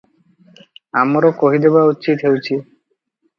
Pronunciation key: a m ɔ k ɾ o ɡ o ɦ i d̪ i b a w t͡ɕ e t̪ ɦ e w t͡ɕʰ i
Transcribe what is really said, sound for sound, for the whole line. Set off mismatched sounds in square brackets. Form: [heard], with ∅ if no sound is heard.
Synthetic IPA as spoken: a m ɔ [∅] ɾ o [k] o ɦ i d̪ [e] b a [u] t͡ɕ [i] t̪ ɦ e w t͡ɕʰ i